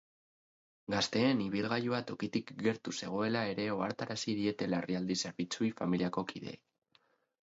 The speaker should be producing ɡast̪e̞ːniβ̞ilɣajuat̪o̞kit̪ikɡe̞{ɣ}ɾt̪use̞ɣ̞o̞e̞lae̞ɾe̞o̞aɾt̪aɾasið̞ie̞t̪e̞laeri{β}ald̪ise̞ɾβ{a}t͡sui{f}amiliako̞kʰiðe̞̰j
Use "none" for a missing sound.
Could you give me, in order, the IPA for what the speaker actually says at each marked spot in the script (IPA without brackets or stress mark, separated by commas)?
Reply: none, none, i, f